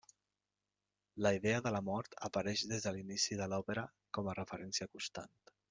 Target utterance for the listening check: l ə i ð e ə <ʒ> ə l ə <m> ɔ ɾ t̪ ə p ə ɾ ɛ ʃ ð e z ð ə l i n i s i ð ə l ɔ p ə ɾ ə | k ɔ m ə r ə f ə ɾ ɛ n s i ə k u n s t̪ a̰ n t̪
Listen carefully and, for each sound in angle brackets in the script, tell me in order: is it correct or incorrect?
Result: incorrect: ð, correct

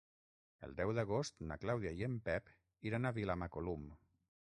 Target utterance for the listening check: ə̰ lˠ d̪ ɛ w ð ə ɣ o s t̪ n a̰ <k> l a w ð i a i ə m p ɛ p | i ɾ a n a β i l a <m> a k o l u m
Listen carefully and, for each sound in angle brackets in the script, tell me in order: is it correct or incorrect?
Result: correct, correct

